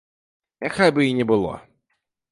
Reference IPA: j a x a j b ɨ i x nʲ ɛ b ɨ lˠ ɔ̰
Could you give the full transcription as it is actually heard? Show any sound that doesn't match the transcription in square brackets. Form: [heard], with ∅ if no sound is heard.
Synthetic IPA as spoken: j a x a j b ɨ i [∅] nʲ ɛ b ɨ lˠ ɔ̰